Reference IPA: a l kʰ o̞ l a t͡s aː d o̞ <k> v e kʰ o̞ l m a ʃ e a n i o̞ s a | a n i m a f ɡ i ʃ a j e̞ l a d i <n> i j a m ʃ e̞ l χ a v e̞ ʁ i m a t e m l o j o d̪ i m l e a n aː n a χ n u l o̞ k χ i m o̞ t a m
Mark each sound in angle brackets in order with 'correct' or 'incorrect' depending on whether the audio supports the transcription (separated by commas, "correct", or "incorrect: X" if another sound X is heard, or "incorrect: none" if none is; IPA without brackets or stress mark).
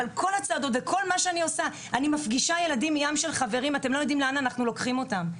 incorrect: t, incorrect: m